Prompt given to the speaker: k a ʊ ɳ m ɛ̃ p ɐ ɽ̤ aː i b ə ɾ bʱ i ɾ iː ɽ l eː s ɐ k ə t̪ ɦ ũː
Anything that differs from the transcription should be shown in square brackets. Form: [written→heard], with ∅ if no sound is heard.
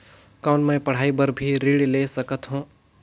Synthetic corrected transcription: k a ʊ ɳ m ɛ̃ p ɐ ɽ̤ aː i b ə ɾ bʱ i ɾ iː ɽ l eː s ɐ k ə t̪ ɦ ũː